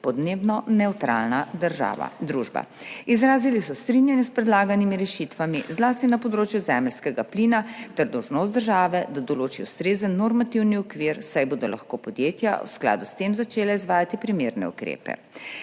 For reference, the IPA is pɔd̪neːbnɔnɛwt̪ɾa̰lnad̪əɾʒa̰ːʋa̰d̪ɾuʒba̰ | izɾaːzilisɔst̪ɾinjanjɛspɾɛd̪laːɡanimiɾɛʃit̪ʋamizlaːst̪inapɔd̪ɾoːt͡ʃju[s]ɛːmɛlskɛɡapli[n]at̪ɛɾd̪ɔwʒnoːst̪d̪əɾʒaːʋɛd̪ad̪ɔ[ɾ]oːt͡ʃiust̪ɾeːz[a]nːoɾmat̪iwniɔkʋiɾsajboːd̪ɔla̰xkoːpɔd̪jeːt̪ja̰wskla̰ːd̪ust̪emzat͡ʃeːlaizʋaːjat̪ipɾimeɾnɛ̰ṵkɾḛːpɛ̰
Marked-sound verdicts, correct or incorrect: incorrect, correct, incorrect, incorrect

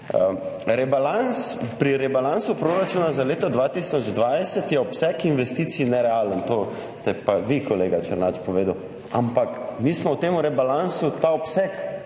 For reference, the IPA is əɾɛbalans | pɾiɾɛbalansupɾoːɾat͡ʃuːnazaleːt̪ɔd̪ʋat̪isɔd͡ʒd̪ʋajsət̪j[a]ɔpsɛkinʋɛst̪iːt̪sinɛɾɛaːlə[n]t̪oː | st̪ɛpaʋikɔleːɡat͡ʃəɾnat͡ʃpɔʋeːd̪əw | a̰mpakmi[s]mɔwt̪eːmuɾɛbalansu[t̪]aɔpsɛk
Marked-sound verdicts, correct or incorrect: incorrect, correct, correct, correct

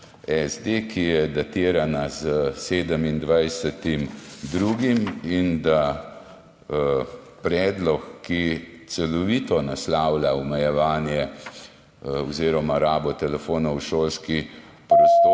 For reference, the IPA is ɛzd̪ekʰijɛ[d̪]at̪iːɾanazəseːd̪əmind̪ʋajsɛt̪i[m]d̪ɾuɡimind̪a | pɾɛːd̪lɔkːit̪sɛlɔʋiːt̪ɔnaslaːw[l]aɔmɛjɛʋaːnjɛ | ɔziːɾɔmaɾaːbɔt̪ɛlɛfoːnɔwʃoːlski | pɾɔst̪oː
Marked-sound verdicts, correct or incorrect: correct, correct, correct

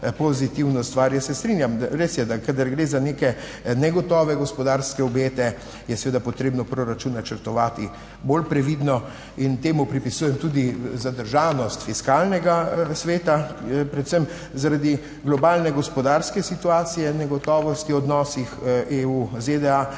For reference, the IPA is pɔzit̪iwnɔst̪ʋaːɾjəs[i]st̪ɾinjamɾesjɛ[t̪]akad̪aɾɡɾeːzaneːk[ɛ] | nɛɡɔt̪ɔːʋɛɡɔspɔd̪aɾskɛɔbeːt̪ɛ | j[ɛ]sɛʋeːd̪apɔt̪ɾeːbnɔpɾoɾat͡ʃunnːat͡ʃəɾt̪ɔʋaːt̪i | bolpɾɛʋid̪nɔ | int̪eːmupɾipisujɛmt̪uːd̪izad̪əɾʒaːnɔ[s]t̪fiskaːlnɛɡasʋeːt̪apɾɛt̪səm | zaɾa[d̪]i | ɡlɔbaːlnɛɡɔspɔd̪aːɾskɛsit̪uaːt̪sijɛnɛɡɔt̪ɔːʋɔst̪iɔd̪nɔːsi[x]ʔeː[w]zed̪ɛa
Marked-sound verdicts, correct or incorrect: incorrect, incorrect, correct, correct, correct, correct, correct, incorrect

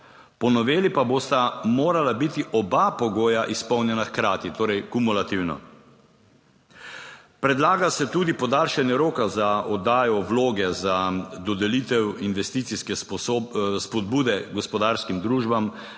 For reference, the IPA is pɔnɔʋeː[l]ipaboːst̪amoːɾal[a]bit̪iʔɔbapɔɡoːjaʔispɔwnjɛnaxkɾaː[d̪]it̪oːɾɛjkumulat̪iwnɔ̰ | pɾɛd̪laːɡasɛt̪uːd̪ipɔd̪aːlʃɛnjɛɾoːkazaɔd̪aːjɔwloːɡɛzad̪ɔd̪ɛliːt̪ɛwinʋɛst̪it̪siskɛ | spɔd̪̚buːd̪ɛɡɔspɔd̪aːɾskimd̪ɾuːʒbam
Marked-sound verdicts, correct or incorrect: correct, correct, incorrect

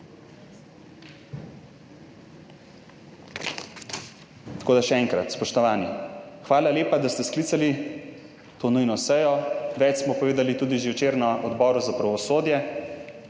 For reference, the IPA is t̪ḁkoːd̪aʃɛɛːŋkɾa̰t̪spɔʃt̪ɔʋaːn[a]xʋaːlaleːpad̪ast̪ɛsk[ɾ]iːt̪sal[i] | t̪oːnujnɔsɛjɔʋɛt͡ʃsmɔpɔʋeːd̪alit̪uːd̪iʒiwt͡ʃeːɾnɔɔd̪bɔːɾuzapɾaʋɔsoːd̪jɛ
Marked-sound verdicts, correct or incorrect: incorrect, incorrect, correct

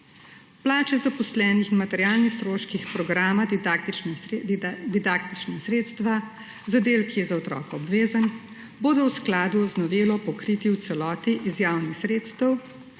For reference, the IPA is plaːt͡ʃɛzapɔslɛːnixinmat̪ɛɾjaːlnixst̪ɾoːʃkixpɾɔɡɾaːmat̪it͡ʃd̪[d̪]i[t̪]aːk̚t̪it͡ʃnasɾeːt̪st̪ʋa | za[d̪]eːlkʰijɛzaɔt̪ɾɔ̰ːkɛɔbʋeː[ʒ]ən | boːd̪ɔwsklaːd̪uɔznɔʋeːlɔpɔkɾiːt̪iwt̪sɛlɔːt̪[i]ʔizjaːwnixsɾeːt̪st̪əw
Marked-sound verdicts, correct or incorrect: correct, incorrect, correct, incorrect, correct

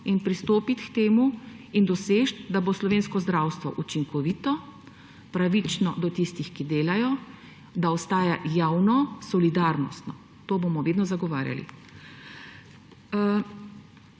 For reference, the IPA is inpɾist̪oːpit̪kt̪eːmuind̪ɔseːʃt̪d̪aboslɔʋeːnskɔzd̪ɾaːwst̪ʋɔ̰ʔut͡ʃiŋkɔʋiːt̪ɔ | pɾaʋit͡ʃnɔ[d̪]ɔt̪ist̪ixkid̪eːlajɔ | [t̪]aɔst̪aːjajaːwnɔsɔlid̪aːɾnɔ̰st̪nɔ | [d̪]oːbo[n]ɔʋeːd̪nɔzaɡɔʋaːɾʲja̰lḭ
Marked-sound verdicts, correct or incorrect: correct, incorrect, incorrect, incorrect

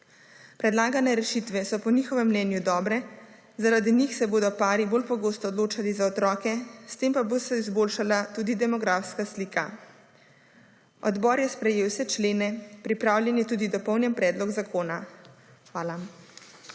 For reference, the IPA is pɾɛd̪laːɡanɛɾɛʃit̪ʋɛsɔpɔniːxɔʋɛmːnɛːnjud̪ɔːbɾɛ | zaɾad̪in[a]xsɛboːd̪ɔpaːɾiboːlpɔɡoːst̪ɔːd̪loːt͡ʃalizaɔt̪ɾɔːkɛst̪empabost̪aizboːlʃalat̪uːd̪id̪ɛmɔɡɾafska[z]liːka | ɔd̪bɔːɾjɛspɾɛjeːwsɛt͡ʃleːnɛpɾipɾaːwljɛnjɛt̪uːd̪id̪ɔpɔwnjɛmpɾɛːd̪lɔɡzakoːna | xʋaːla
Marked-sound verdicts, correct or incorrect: incorrect, incorrect

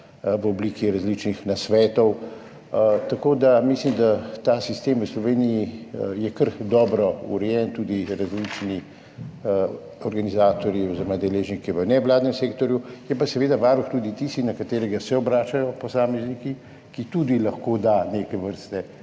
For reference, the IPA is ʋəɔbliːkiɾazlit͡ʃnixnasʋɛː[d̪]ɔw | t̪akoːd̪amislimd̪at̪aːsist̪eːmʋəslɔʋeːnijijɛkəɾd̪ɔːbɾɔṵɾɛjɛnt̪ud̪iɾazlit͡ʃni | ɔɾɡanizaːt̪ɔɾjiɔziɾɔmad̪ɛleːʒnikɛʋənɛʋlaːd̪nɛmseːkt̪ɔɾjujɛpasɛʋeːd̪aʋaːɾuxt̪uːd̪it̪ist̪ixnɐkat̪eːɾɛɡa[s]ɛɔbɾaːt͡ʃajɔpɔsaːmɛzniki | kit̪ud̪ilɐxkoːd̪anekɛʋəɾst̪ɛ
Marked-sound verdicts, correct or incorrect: incorrect, correct

